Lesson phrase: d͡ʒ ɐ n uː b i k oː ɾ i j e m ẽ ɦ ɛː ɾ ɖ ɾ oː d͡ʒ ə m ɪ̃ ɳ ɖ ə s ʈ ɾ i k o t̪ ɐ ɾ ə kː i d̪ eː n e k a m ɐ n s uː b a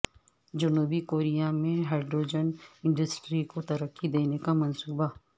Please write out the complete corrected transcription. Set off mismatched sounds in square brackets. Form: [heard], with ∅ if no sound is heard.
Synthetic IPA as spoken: d͡ʒ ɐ n uː b i k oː ɾ i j [a] m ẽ ɦ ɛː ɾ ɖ ɾ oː d͡ʒ ə [n] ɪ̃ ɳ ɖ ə s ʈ ɾ i k o t̪ ɐ ɾ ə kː i d̪ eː n e k a m ɐ n s uː b a